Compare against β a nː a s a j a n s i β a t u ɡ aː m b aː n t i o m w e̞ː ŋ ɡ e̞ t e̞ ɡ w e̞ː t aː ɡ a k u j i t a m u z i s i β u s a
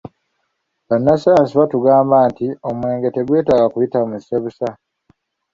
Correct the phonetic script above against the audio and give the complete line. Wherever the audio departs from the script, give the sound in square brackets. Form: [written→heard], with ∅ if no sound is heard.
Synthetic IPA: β a nː a s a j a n s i β a t u ɡ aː m b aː n t i o m w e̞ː ŋ ɡ e̞ t e̞ ɡ w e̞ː t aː ɡ a k u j i t a m u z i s [i→e] β u s a